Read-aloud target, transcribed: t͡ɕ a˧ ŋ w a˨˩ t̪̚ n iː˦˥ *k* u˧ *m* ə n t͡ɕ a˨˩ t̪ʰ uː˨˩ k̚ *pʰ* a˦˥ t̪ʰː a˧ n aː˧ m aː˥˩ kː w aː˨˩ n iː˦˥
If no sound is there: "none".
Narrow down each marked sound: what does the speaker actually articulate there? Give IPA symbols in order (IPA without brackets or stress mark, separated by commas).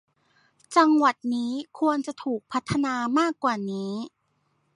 kʰ, none, pʰ